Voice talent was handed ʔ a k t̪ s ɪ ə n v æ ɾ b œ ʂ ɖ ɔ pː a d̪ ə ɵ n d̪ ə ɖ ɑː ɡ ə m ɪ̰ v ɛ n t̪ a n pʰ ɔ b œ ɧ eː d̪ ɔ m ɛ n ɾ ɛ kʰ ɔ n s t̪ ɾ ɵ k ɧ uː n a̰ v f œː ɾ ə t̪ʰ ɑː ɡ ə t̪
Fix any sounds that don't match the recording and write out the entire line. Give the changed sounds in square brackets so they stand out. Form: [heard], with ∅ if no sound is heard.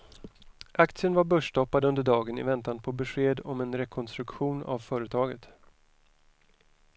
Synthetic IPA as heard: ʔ a k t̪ s ɪ ə n v [a] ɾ b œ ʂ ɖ ɔ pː a d̪ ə ɵ n d̪ ə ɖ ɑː ɡ ə [n] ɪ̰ v ɛ n t̪ a n pʰ ɔ b [ɛ] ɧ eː d̪ ɔ m ɛ n ɾ ɛ kʰ ɔ n s t̪ ɾ ɵ k ɧ uː n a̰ v f œː ɾ ə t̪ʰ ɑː ɡ ə t̪